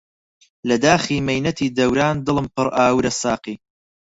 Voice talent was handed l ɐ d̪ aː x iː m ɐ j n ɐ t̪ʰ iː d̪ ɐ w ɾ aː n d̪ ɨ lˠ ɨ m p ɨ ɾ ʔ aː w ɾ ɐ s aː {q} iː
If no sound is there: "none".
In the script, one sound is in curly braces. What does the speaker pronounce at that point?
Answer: q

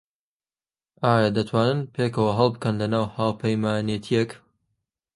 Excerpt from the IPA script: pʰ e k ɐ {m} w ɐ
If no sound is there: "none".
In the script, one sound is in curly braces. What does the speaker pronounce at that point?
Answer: none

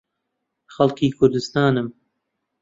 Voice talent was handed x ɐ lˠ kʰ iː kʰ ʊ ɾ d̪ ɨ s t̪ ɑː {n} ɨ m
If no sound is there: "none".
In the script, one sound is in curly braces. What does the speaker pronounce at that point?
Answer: n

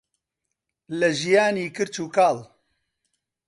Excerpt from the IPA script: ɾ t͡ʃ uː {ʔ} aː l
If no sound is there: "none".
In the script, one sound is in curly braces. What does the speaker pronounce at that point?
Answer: k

